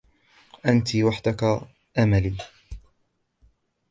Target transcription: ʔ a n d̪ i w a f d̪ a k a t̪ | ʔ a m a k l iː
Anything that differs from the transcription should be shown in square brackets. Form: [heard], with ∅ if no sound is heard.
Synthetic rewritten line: ʔ a n [t̪] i w a [ħ] d̪ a k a [∅] | ʔ a m a [∅] l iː